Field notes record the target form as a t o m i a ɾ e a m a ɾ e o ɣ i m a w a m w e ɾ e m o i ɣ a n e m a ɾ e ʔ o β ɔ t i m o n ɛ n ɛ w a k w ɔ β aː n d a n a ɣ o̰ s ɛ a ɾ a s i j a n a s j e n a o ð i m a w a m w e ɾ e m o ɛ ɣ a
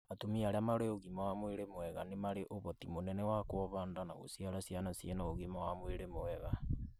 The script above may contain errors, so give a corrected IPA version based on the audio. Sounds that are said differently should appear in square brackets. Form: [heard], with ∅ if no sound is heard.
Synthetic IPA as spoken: a t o m i a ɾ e a m a ɾ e o ɣ i m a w a m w e ɾ e m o [ɛ] ɣ a n e m a ɾ e ʔ o β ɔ t i m o n ɛ n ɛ w a k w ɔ β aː n d a n a ɣ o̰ s [i] a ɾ a s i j a n a s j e n a o [ɣ] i m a w a m w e ɾ e m o ɛ ɣ a